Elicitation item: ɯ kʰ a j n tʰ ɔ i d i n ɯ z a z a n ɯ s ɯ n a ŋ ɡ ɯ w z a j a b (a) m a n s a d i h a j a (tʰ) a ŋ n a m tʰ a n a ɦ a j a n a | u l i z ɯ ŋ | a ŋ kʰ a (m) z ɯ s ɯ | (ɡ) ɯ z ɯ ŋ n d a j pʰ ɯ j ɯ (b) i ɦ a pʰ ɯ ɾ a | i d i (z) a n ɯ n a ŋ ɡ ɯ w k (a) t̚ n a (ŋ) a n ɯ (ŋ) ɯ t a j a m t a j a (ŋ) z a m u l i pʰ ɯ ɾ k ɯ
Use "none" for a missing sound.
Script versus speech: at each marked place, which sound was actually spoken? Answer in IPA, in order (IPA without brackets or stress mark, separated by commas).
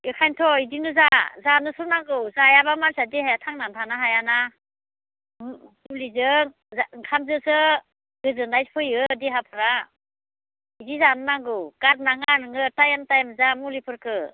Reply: a, tʰ, m, ɡ, d, z, a, ŋ, ŋ, m